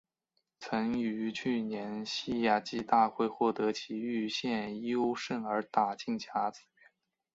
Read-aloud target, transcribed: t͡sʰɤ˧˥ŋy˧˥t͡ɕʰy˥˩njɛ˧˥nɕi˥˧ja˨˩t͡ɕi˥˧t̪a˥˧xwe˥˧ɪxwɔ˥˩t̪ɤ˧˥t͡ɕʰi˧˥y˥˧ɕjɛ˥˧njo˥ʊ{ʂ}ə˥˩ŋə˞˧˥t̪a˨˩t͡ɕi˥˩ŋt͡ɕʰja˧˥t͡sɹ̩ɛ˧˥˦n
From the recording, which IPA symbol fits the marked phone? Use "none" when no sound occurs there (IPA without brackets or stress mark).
ʂ